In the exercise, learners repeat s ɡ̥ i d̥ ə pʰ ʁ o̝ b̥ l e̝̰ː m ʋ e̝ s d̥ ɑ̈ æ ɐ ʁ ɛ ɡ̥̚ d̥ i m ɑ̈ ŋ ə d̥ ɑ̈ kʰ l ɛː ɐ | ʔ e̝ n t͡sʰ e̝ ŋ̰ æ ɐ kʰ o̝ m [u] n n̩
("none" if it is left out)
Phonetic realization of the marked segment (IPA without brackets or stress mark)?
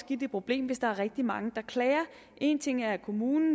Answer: uː